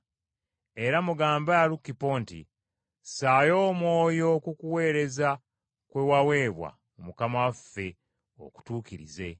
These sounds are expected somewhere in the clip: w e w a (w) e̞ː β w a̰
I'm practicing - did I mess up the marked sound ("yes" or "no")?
no